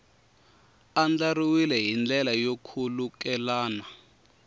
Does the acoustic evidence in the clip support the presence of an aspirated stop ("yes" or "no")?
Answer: yes